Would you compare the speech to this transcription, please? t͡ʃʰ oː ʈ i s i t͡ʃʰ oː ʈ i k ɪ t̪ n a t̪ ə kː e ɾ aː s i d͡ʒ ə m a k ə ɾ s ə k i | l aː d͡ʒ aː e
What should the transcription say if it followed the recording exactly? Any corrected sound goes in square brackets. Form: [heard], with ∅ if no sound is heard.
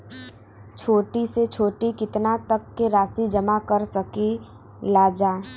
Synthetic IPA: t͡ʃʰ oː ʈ i s [e] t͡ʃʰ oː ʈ i k ɪ t̪ n a t̪ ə kː e ɾ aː s i d͡ʒ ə m a k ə ɾ s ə k i | l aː d͡ʒ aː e